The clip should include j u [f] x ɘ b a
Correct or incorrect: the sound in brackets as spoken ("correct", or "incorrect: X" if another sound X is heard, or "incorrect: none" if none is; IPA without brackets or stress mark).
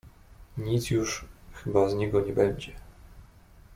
incorrect: ʂ